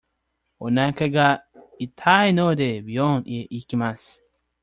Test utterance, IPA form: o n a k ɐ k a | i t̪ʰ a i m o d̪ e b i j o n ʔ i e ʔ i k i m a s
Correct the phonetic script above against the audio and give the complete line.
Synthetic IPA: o n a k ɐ ɡ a | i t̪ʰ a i n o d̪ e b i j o n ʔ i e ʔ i k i m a s